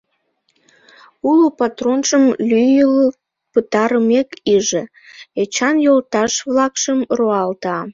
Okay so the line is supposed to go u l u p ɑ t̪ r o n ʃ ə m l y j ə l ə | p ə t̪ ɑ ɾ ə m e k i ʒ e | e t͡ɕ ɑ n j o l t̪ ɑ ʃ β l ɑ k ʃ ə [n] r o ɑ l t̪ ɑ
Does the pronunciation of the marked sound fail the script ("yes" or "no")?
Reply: yes